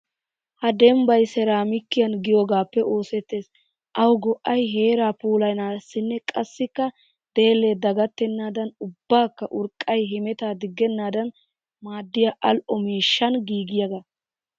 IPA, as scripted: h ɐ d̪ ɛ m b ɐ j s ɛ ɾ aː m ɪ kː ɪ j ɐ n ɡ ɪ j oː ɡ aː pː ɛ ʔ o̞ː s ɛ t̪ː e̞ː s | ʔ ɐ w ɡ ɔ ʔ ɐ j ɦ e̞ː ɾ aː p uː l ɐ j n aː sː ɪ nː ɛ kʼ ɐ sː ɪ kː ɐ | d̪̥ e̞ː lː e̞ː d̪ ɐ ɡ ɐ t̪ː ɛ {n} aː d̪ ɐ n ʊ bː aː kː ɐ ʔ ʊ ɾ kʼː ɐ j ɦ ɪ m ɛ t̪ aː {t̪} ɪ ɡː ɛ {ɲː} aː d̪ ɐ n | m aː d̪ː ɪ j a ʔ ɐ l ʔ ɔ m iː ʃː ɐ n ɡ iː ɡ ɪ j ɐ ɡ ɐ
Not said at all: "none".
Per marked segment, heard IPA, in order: nː, d̪, nː

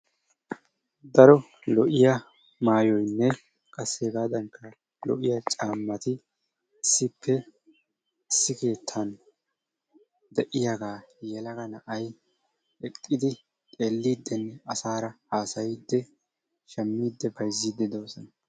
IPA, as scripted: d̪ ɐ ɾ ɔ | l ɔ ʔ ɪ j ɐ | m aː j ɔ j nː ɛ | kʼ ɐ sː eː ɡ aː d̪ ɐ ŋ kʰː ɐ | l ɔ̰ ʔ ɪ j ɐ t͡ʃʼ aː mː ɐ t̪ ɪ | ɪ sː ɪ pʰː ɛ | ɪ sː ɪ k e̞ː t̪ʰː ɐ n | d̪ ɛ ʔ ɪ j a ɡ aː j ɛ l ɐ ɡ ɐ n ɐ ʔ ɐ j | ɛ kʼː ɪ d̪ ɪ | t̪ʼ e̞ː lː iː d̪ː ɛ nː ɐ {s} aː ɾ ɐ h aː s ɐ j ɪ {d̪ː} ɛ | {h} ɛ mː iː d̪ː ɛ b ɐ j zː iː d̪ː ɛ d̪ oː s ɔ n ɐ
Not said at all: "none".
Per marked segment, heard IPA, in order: s, d̪ː, ʃ

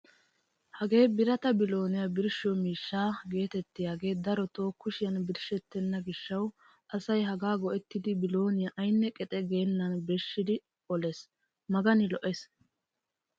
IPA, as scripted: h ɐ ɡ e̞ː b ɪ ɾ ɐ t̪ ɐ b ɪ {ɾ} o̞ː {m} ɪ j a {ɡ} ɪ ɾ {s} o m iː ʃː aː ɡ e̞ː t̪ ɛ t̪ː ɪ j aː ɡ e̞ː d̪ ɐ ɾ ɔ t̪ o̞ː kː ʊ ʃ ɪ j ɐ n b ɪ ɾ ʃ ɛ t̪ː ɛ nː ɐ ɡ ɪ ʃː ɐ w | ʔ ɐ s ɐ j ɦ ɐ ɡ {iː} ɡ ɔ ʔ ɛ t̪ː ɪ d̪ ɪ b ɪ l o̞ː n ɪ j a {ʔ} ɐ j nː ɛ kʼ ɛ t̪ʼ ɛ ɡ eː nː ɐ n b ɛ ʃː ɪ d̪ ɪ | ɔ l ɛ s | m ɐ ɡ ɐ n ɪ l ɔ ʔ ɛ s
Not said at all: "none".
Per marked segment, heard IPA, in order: l, n, b, ʃ, aː, ʔ

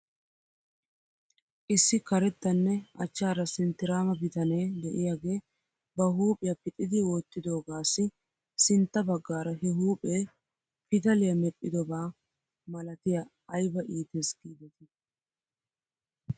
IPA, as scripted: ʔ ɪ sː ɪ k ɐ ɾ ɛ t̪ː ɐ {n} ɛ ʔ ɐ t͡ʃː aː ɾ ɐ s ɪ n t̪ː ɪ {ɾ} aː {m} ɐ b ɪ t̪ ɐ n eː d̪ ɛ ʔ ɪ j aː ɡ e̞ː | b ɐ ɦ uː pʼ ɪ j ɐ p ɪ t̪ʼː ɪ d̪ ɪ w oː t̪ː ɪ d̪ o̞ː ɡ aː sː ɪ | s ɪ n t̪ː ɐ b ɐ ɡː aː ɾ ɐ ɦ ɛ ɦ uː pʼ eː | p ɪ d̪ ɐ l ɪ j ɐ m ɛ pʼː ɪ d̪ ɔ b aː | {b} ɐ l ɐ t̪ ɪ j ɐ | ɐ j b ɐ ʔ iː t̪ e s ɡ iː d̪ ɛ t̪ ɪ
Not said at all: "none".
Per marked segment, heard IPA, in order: nː, ɾ, m, m

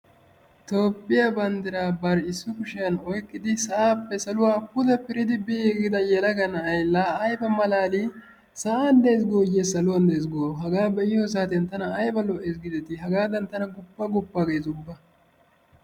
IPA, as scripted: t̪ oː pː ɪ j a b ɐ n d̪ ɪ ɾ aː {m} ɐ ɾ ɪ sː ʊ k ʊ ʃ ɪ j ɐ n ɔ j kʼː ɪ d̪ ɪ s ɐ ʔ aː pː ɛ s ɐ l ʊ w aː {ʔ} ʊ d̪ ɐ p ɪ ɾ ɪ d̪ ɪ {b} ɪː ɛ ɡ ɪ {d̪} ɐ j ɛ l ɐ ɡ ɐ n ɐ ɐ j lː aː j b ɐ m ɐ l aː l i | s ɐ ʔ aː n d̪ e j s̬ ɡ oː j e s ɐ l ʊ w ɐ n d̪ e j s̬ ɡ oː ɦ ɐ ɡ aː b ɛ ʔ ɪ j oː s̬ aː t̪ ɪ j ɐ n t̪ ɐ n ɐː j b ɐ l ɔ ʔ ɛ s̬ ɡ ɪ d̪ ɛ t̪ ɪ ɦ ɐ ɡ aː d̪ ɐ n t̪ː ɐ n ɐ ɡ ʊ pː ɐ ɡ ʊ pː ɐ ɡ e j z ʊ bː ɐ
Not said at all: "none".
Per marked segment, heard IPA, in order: b, p, b, d̪

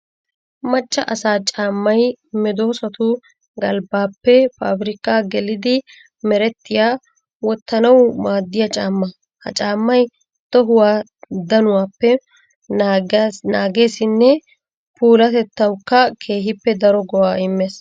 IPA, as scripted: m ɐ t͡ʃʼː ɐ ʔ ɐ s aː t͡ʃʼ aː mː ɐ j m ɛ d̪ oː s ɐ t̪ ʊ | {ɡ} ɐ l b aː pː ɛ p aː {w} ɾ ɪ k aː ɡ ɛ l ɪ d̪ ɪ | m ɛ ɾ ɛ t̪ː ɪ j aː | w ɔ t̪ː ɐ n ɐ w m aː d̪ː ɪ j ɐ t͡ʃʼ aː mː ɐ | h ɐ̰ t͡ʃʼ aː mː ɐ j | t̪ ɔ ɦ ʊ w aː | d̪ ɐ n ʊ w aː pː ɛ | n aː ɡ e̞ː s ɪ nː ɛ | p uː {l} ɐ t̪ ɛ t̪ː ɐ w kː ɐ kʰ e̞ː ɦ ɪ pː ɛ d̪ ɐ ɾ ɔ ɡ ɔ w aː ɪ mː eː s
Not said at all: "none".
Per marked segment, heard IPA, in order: ɡ, b, l

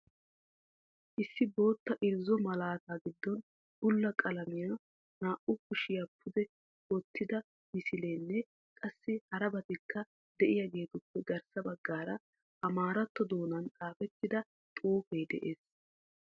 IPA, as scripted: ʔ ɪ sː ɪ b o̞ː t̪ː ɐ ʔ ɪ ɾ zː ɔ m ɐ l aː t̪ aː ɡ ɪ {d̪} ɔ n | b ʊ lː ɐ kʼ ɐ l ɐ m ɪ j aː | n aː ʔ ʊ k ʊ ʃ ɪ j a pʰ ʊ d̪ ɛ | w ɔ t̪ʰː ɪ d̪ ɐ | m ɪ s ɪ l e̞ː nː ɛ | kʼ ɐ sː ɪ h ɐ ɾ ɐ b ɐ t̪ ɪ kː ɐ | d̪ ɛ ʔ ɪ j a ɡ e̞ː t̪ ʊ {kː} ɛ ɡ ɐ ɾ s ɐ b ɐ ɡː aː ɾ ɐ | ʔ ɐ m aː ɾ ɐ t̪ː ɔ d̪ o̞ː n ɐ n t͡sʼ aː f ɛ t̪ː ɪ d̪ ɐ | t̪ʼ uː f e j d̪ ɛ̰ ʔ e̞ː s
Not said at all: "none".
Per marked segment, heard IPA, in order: d̪ː, pː

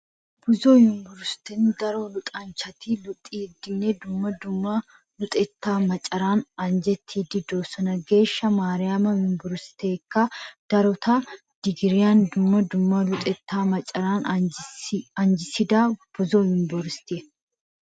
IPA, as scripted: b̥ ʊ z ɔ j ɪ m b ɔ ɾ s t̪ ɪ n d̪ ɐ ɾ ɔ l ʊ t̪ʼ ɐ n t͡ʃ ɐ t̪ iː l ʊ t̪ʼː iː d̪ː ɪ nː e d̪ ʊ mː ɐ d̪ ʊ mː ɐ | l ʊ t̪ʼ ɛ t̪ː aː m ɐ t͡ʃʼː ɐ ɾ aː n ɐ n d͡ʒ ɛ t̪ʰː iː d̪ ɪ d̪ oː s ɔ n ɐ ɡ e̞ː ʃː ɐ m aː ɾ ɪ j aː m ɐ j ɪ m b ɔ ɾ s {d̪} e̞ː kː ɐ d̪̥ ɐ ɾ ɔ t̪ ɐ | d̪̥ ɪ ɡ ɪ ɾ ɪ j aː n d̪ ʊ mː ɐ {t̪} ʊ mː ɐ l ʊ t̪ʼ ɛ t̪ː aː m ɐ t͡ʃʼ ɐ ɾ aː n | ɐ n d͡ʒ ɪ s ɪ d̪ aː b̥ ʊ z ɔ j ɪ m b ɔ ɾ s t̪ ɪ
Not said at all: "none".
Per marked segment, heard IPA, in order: t̪, d̪

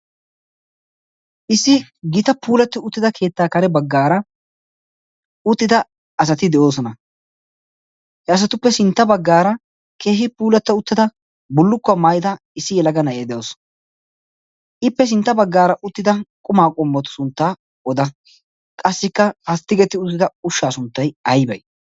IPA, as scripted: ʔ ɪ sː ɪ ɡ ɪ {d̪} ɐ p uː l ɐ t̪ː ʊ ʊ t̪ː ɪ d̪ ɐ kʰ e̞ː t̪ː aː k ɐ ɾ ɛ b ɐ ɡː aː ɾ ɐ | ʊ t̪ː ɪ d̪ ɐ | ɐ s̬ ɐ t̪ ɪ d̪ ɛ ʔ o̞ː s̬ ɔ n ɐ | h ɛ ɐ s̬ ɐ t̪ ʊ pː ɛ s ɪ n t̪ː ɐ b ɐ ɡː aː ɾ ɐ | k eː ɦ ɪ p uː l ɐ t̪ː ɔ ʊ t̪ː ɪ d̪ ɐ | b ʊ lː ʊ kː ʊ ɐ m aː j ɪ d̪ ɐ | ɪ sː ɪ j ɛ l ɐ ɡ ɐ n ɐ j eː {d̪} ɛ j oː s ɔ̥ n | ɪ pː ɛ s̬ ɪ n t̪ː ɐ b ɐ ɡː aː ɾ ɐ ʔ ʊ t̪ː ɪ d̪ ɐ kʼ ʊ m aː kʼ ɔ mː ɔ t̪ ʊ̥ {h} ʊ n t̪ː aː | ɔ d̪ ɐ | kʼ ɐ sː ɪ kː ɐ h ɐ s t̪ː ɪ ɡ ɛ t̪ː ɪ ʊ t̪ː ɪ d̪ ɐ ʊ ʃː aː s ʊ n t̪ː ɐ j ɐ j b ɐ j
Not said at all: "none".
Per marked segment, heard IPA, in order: t̪, d̪, s

